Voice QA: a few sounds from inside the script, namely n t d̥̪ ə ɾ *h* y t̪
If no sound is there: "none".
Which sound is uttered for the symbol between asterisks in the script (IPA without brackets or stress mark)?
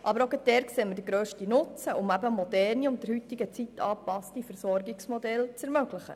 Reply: h